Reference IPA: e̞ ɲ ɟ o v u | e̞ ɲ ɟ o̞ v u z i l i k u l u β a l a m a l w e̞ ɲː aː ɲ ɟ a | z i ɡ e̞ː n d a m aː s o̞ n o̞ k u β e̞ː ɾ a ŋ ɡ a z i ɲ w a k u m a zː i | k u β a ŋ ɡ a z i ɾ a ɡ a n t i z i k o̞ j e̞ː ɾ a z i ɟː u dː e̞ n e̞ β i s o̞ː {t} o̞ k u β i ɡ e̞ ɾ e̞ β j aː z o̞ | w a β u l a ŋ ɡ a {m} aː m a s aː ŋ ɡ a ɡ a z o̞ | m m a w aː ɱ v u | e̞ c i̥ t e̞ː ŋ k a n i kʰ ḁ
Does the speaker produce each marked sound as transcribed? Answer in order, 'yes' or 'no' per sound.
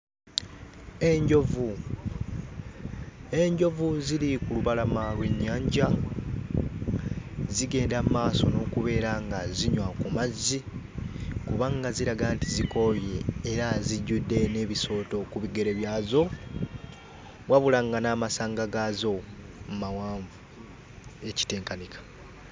yes, no

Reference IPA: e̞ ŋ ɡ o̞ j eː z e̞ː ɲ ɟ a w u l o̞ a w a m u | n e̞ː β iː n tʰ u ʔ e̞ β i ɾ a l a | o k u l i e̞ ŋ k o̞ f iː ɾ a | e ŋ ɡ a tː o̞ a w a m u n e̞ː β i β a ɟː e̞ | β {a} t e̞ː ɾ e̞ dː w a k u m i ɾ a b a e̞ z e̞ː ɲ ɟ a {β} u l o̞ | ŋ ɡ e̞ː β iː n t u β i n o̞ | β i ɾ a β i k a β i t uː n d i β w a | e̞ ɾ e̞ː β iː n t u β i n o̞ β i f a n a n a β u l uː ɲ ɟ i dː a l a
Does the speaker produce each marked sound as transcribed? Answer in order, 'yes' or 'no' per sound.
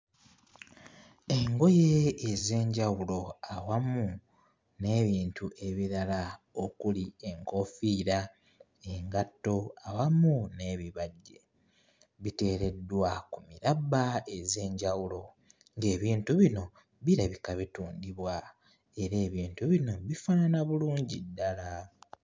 no, no

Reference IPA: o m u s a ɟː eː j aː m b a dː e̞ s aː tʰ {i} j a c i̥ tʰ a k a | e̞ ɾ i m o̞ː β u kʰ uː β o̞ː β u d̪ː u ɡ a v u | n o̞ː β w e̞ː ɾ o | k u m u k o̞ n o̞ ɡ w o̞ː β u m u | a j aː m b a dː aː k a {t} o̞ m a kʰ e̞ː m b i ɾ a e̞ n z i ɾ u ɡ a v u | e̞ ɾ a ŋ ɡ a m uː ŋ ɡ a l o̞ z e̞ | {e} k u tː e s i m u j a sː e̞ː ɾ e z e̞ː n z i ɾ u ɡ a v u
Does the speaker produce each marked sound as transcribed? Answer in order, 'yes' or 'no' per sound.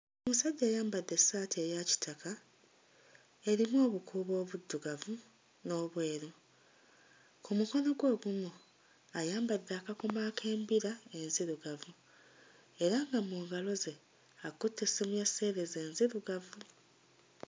no, no, no

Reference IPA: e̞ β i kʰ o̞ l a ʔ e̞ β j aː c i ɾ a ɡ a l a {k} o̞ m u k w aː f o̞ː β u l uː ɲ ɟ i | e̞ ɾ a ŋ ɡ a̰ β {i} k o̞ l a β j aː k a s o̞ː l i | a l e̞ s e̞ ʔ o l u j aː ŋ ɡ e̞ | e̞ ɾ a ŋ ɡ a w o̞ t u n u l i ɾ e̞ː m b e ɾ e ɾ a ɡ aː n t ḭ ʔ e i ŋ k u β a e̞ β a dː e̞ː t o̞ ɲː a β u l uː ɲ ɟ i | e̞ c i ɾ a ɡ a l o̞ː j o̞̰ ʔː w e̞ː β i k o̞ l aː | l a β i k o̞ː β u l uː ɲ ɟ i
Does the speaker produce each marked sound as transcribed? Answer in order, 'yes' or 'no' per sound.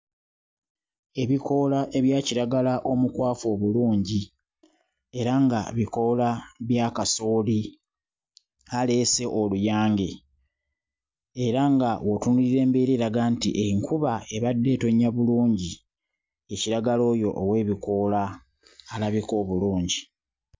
no, yes

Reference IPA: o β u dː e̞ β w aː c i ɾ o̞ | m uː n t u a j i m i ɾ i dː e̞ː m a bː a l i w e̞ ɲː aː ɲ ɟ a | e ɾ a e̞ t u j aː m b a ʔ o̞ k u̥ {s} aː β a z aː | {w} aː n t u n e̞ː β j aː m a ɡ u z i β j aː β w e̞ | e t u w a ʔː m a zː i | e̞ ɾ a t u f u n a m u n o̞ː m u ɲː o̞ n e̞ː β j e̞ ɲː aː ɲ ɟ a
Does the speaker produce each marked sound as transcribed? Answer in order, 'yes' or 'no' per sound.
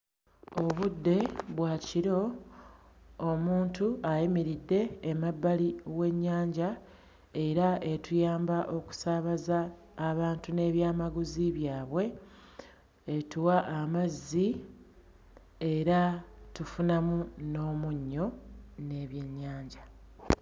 yes, no

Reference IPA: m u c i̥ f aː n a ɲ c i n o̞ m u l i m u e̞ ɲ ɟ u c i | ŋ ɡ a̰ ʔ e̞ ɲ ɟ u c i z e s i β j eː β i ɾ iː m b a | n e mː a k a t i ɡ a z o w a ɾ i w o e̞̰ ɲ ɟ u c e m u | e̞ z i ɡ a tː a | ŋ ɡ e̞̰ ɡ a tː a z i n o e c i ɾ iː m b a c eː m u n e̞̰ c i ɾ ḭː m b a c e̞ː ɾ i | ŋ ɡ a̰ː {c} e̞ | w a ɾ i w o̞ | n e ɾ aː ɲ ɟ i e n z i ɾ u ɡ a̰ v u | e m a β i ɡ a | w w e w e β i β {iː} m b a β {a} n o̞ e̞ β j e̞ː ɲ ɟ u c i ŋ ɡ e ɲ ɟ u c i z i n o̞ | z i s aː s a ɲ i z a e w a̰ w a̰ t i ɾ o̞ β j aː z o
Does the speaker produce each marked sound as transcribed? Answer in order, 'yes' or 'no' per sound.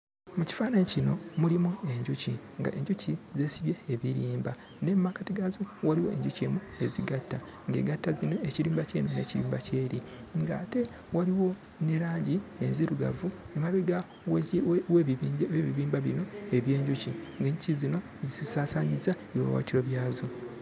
no, yes, no

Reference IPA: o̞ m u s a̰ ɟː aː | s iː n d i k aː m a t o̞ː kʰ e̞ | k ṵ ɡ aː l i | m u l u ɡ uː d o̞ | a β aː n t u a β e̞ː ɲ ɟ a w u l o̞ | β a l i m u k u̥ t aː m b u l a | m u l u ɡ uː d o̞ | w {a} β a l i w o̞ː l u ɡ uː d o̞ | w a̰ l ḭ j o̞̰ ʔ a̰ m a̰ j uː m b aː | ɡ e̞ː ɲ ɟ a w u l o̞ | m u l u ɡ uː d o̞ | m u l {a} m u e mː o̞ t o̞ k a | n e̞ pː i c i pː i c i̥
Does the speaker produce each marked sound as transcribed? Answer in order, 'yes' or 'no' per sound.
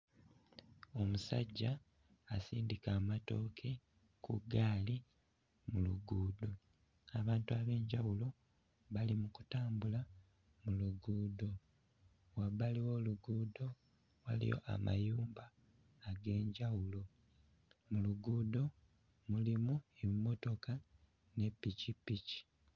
yes, no

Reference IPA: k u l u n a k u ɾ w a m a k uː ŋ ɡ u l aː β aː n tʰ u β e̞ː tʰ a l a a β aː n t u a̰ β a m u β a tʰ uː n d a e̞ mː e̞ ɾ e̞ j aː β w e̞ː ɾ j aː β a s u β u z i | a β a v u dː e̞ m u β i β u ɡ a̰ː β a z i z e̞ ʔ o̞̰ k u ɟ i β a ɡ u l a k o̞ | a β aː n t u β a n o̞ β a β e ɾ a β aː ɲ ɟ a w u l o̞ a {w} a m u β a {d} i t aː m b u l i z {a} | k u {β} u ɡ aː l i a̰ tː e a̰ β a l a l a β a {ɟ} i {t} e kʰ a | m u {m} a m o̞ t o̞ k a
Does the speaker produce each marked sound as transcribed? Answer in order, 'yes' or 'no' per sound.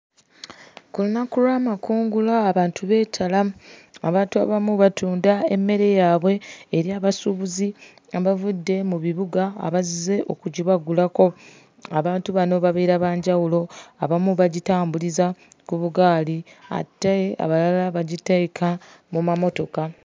no, no, yes, yes, yes, yes, yes

